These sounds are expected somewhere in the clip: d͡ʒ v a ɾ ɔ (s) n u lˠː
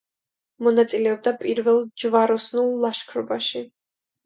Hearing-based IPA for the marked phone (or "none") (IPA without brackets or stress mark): s